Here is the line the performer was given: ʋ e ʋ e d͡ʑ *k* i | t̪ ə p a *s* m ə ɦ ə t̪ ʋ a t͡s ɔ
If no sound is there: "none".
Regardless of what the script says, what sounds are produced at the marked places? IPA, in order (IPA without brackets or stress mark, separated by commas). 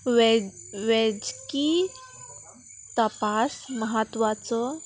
k, s